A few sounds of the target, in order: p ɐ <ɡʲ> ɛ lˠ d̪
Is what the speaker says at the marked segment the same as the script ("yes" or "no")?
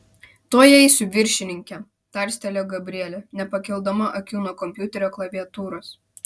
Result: no